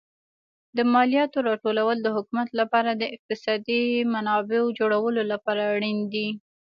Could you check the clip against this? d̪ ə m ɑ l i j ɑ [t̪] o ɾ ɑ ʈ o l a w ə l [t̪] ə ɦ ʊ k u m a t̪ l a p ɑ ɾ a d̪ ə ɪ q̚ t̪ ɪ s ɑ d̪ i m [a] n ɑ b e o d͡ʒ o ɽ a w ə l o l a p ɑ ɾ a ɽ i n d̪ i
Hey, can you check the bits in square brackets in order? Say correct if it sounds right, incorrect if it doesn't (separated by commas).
correct, incorrect, correct